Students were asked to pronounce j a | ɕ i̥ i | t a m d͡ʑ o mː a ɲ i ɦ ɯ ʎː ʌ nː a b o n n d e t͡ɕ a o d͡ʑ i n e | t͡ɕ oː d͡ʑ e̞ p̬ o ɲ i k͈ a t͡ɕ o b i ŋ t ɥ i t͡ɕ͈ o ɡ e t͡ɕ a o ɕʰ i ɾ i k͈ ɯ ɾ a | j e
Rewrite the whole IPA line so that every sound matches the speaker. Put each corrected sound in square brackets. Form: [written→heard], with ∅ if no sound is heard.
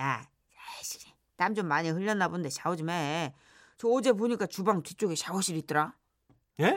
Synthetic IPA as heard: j a | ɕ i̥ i | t a m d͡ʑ o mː a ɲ i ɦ ɯ ʎː ʌ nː a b o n n d e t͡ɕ a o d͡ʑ i [n→m] e | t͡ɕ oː d͡ʑ e̞ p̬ o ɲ i k͈ a t͡ɕ [o→u] b [i→a] ŋ t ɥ i t͡ɕ͈ o ɡ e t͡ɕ a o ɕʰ i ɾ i [k͈→t͈] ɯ ɾ a | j e